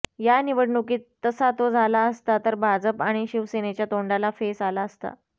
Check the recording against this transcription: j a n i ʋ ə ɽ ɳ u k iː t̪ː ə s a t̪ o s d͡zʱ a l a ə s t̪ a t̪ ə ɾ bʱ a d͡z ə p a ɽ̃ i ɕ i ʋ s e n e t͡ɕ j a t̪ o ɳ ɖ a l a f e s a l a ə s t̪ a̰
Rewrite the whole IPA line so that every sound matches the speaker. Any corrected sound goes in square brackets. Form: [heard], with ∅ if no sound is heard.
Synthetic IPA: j a n i ʋ ə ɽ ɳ u k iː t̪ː ə s a t̪ o [∅] d͡zʱ a l a ə s t̪ a t̪ ə ɾ bʱ a d͡z ə p a ɽ̃ i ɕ i ʋ s e n e t͡ɕ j a t̪ o ɳ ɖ a l a f e s a l a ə s t̪ a̰